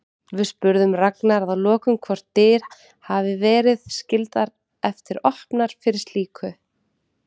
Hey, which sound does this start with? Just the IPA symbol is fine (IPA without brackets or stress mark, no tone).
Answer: v